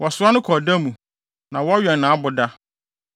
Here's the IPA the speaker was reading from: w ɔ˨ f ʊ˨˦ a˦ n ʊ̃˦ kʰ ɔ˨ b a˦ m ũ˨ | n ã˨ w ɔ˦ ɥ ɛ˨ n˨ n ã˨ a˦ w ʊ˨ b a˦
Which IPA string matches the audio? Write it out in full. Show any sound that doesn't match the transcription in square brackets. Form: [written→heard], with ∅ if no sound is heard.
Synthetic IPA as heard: w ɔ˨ [f→s] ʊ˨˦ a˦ n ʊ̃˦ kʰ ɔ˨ [b→d] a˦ m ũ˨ | n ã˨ w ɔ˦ ɥ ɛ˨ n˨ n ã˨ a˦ [w→b] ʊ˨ [b→d] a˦